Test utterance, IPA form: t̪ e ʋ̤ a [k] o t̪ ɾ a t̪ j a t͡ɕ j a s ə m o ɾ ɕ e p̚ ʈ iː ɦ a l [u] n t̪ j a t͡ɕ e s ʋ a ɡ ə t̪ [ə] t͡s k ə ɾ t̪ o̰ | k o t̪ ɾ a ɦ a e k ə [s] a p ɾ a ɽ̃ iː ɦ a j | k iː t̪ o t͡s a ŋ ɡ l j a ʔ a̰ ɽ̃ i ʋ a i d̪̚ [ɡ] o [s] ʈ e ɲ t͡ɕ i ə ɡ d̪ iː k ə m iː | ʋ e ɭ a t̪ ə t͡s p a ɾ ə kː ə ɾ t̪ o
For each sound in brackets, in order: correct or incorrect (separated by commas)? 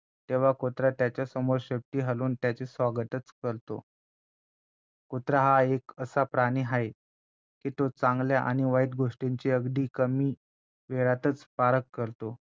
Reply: correct, incorrect, correct, correct, correct, incorrect